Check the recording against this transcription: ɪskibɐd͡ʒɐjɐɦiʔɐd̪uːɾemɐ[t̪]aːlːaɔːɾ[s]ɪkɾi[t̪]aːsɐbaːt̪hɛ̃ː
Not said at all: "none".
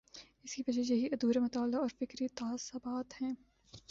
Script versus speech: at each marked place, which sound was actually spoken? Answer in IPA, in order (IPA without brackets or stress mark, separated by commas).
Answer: t̪, f, t̪